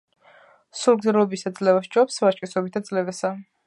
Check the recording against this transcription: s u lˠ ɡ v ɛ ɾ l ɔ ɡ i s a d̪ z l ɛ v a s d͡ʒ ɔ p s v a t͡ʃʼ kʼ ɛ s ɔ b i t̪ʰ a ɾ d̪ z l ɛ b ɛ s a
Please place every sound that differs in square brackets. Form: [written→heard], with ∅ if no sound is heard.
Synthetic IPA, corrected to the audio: s u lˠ ɡ [v→z] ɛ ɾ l ɔ [ɡ→b] i s a d̪ z l ɛ v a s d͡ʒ ɔ p s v a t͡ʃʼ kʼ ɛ s ɔ b i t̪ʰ a [ɾ→∅] d̪ z l ɛ [b→v] ɛ s a